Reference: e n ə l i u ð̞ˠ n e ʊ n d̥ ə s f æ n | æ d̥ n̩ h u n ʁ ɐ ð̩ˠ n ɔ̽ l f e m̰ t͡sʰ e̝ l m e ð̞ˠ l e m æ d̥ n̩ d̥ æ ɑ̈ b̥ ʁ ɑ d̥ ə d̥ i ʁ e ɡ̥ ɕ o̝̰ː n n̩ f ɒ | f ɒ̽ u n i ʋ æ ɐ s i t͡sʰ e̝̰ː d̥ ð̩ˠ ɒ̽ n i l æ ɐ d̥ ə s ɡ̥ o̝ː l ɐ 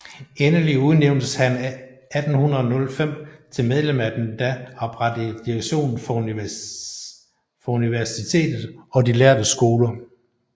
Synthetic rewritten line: e n ə l i u ð̞ˠ n e ʊ n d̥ ə s h æ n | æ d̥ n̩ h u n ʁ ɐ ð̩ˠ n ɔ̽ l f e m̰ t͡sʰ e̝ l m e ð̞ˠ l e m æ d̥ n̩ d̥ æ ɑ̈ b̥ ʁ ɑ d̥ ə d̥ i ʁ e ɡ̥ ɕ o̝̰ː n n̩ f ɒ | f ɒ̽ u n i ʋ æ ɐ s i t͡sʰ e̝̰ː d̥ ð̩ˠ ɒ̽ d i l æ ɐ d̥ ə s ɡ̥ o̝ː l ɐ